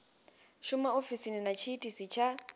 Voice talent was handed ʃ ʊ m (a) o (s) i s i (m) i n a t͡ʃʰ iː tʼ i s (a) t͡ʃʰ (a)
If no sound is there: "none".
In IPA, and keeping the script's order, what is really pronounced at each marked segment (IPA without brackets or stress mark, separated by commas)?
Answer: a, f, n, i, a